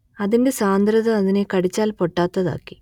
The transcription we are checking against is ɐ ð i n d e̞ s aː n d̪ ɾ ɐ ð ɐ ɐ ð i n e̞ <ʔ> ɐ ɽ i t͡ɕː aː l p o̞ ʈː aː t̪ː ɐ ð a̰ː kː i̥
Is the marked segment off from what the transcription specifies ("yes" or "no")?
yes